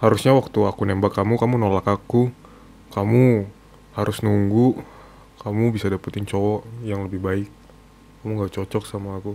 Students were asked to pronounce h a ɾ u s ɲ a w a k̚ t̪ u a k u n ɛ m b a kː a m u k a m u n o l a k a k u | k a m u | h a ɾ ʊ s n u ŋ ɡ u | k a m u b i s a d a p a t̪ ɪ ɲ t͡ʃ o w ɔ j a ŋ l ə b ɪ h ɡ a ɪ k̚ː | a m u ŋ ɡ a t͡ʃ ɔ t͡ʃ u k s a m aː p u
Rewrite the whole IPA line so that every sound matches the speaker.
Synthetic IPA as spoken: h a ɾ u s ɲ a w a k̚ t̪ u a k u n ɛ m b a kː a m u k a m u n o l a k a k u | k a m u | h a ɾ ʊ s n u ŋ ɡ u | k a m u b i s a d a p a t̪ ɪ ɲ t͡ʃ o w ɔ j a ŋ l ə b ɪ h b a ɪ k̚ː | a m u ŋ ɡ a t͡ʃ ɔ t͡ʃ ɔ k s a m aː k u